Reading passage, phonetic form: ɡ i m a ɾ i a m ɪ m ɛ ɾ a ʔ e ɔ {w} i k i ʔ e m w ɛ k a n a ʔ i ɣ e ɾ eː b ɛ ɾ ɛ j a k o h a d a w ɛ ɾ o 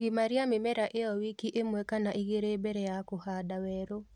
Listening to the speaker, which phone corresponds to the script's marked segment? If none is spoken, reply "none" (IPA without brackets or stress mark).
w